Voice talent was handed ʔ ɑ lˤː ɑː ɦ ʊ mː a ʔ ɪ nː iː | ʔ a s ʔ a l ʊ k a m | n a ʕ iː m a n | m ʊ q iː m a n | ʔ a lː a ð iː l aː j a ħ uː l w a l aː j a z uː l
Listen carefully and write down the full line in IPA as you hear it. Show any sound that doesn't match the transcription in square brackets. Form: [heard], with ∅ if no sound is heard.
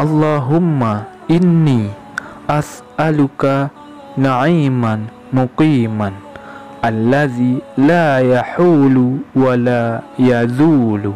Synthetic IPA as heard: ʔ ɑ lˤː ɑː ɦ ʊ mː a ʔ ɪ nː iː | ʔ a s ʔ a l ʊ k a [∅] | n a ʕ iː m a n | m ʊ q iː m a n | ʔ a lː a ð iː l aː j a ħ uː l w a l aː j a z uː l

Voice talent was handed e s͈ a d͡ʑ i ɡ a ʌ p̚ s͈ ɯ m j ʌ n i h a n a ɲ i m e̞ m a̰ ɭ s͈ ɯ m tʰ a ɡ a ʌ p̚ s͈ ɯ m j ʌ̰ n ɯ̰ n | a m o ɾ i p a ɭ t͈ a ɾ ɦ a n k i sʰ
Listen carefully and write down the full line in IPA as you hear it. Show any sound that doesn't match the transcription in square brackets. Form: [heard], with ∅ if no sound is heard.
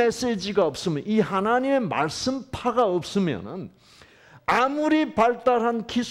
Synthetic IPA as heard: e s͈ [e] d͡ʑ i ɡ a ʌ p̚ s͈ ɯ m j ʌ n i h a n a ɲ i m e̞ m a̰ ɭ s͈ ɯ m [pʰ] a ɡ a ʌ p̚ s͈ ɯ m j ʌ̰ n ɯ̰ n | a m [u] ɾ i p a ɭ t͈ a ɾ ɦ a n k i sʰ

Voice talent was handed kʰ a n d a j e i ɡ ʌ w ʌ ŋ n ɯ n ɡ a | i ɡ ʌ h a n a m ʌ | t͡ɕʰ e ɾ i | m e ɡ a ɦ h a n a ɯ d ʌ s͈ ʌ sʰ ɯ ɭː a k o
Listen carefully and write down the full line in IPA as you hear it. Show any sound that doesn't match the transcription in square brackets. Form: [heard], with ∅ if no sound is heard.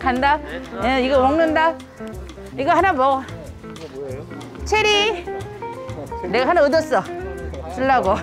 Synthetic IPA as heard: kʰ a n d a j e i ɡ ʌ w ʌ ŋ n ɯ n [d] a | i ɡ ʌ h a n a m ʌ | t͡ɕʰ e ɾ i | [n] e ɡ a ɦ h a n a ɯ d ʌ s͈ ʌ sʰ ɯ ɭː a [ɡ] o

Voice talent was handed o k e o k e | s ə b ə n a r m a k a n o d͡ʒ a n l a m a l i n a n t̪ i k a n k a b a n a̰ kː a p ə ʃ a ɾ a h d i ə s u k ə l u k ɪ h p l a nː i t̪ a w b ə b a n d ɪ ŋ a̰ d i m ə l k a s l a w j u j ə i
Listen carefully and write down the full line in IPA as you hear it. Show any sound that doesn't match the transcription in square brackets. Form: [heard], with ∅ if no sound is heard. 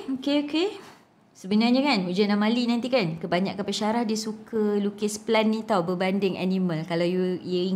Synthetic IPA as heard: o k e o k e | s ə b ə n a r [ɲ] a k a n [u] d͡ʒ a n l a m a l i n a n t̪ i k a n k [ə] b a [ɲ] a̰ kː a p ə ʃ a ɾ a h d i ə s u k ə l u k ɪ [s] p l a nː i t̪ a w b ə b a n d ɪ ŋ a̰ [n] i m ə l k a [∅] l a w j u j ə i

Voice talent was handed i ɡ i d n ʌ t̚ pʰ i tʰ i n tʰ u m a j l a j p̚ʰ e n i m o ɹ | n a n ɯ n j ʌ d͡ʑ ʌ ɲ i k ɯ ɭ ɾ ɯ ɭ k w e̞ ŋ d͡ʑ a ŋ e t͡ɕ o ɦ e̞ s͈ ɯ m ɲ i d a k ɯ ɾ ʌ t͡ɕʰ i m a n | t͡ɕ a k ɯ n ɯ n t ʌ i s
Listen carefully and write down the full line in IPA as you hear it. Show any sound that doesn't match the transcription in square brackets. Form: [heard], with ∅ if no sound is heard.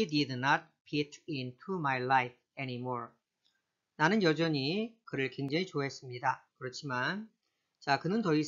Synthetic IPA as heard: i [d] i d n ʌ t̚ pʰ i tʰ i n tʰ u m a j l a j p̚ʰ e n i m o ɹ | n a n ɯ n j ʌ d͡ʑ ʌ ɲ i k ɯ [∅] ɾ ɯ ɭ k w e̞ ŋ d͡ʑ a ŋ [i] t͡ɕ o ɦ e̞ s͈ ɯ m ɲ i d a k ɯ ɾ ʌ t͡ɕʰ i m a n | t͡ɕ a k ɯ n ɯ n t ʌ i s

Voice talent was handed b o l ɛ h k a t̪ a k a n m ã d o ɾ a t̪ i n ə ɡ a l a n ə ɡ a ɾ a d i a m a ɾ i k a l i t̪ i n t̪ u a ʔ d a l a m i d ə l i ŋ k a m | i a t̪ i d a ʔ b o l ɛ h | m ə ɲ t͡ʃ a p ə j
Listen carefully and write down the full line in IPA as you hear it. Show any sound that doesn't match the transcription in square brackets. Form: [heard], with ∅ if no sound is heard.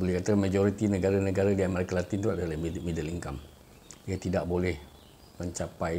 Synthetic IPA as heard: b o l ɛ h k a t̪ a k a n m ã [d͡ʒ] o ɾ [i] t̪ i n ə ɡ a [ɾ] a n ə ɡ a ɾ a d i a m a ɾ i k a l [a] t̪ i n t̪ u a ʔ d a l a m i d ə l i ŋ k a m | i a t̪ i d a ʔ b o l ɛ h | m ə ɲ t͡ʃ a p [a] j

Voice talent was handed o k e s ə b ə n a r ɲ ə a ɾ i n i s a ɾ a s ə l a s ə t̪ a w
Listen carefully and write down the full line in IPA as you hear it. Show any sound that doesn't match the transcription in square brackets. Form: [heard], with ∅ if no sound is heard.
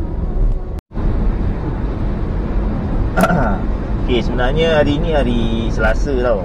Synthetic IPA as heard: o k e s ə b ə n a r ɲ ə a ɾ i n i [∅] a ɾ [i] s ə l a s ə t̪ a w

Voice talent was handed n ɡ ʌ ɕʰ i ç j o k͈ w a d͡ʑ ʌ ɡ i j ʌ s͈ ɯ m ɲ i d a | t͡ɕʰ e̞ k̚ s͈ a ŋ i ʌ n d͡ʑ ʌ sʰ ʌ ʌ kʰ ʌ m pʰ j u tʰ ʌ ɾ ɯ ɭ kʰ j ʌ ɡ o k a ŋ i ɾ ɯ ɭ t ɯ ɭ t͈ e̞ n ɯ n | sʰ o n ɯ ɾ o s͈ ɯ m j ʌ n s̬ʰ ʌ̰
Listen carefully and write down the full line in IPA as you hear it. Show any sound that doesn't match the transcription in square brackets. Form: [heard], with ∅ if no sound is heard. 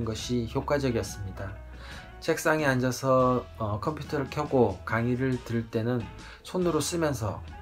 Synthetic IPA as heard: n ɡ ʌ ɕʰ i ç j o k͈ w a d͡ʑ ʌ ɡ i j ʌ s͈ ɯ m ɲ i d a | t͡ɕʰ e̞ k̚ s͈ a ŋ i [a] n d͡ʑ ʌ sʰ ʌ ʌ kʰ ʌ m pʰ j u tʰ ʌ ɾ ɯ ɭ kʰ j ʌ ɡ o k a ŋ i ɾ ɯ ɭ t ɯ ɭ t͈ e̞ n ɯ n | sʰ o n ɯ ɾ o s͈ ɯ m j ʌ n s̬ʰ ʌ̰

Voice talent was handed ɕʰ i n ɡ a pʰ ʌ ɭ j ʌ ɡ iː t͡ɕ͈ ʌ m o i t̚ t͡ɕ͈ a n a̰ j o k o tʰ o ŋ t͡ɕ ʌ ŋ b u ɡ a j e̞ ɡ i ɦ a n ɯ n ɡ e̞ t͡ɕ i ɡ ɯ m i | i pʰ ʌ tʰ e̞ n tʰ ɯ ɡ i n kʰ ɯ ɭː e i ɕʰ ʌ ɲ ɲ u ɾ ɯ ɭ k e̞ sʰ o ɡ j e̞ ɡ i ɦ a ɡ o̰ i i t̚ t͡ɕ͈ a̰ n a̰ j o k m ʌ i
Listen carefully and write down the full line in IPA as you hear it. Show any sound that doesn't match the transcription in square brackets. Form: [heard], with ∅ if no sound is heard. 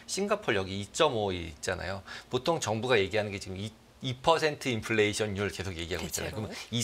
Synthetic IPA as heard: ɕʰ i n ɡ a pʰ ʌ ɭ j ʌ ɡ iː t͡ɕ͈ ʌ m o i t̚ t͡ɕ͈ a n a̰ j o [p] o tʰ o ŋ t͡ɕ ʌ ŋ b u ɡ a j e̞ ɡ i ɦ a n ɯ n ɡ e̞ t͡ɕ i ɡ ɯ m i | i pʰ ʌ [sʰ] e̞ n tʰ ɯ [∅] i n [pʰ] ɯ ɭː e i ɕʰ ʌ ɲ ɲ u ɾ ɯ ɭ k e̞ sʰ o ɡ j e̞ ɡ i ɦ a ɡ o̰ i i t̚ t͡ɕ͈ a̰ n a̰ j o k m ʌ i

